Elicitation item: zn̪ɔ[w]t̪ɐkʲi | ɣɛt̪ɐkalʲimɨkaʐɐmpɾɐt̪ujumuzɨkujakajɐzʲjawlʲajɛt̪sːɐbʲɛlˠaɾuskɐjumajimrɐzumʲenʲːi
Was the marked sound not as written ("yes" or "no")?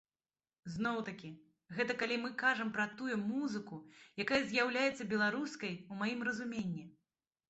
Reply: no